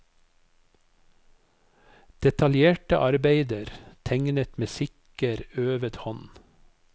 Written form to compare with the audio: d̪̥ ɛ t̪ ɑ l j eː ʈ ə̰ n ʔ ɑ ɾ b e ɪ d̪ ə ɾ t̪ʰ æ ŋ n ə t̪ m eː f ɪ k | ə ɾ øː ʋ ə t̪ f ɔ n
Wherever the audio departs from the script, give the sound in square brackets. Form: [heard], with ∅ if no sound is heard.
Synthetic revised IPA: d̪̥ ɛ t̪ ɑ l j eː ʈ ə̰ [∅] ʔ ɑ ɾ b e ɪ d̪ ə ɾ t̪ʰ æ ŋ n ə t̪ m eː [s] ɪ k | ə ɾ øː ʋ ə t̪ [h] ɔ n

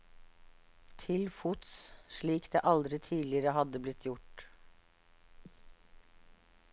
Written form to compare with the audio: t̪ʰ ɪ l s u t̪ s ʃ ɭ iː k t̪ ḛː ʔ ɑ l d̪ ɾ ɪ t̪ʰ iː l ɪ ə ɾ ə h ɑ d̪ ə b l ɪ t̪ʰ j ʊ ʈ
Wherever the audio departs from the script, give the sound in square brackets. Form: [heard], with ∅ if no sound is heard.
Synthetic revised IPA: t̪ʰ ɪ l [f] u t̪ s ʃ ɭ iː k [d̪] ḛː ʔ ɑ l d̪ ɾ ɪ t̪ʰ iː l ɪ ə ɾ ə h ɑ d̪ ə b l ɪ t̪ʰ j ʊ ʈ

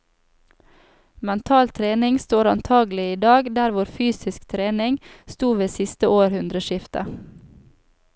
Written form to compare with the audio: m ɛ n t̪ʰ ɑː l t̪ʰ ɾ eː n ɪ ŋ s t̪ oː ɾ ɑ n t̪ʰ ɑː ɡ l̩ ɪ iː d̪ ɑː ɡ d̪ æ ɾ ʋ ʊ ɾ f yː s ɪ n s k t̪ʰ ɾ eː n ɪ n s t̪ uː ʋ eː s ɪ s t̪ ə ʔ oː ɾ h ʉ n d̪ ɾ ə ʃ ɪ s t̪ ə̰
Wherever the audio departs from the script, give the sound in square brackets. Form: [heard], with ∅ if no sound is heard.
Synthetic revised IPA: m ɛ n t̪ʰ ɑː l t̪ʰ ɾ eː n ɪ ŋ s t̪ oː ɾ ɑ n t̪ʰ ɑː ɡ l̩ ɪ iː d̪ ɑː ɡ d̪ æ ɾ ʋ ʊ ɾ f yː s ɪ [∅] s k t̪ʰ ɾ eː n ɪ [ŋ] s t̪ uː ʋ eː s ɪ s t̪ ə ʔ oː ɾ h ʉ n d̪ ɾ ə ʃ ɪ [f] t̪ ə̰

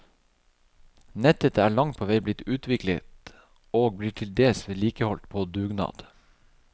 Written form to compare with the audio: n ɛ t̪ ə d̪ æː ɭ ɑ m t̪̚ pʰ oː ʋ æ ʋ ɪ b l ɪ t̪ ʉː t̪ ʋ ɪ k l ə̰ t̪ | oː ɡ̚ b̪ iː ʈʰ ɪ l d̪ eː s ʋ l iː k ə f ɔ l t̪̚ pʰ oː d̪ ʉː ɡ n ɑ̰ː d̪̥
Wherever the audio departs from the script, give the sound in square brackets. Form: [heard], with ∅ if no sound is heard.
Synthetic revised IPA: n ɛ t̪ ə [t̪] æː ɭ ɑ [ŋ] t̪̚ pʰ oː ʋ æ [∅] ɪ b l ɪ t̪ ʉː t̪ ʋ ɪ k l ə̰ t̪ | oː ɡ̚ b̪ iː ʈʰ ɪ l d̪ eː s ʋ l iː k ə [h] ɔ l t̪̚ pʰ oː d̪ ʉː ɡ n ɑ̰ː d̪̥

